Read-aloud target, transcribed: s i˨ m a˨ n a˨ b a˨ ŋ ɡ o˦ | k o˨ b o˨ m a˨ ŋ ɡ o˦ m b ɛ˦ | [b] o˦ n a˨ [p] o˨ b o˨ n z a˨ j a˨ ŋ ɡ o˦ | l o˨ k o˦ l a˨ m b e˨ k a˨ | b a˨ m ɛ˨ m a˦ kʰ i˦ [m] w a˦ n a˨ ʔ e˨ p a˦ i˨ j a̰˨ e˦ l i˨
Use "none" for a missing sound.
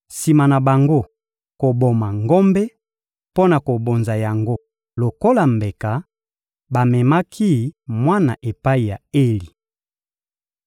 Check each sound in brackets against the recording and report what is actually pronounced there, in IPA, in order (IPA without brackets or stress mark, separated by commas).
p, k, m